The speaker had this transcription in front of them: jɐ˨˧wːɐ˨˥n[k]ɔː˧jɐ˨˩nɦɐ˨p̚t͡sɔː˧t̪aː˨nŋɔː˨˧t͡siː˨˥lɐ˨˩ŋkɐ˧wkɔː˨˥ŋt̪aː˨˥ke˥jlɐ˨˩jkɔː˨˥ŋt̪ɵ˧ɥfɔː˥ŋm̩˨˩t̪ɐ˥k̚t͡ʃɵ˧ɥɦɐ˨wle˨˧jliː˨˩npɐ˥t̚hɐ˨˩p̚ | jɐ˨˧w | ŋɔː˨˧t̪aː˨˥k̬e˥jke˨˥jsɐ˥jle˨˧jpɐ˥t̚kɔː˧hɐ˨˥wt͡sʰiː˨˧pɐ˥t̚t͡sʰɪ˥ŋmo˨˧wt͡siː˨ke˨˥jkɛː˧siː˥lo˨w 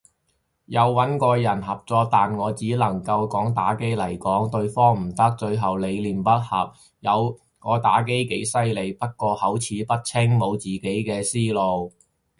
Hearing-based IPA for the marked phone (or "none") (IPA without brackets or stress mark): k